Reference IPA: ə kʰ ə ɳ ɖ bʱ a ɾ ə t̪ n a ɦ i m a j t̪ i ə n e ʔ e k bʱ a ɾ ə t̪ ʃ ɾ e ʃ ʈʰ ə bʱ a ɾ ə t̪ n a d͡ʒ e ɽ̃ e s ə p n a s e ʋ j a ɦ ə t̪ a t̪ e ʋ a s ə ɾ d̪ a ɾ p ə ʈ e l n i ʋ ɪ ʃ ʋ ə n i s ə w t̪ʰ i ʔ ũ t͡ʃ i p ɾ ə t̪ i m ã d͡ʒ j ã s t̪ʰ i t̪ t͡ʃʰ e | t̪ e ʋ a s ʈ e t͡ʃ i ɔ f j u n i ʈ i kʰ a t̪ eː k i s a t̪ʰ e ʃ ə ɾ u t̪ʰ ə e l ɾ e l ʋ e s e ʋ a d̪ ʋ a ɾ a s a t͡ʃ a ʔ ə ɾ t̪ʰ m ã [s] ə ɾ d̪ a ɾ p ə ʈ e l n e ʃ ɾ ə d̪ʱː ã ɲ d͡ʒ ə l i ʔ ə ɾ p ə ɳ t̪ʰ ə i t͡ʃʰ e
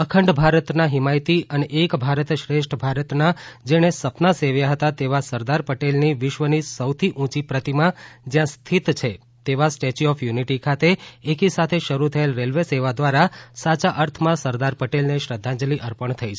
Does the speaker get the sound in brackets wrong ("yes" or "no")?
no